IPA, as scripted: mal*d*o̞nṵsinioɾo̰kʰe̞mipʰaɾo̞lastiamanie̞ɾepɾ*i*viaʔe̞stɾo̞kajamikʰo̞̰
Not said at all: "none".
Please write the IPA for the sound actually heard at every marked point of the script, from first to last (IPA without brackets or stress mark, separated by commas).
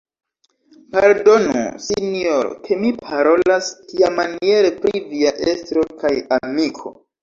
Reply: d, i